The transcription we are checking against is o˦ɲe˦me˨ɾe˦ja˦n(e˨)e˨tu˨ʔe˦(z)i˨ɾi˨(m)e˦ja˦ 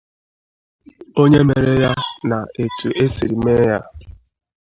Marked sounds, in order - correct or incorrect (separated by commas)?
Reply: incorrect, incorrect, correct